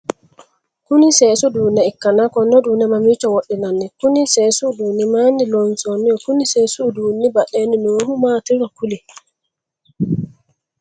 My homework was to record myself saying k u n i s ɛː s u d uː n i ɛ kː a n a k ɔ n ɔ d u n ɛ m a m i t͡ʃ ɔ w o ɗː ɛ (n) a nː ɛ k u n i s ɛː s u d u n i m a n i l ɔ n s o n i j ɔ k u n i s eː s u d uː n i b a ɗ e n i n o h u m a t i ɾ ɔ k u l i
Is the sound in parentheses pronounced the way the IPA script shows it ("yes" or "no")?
yes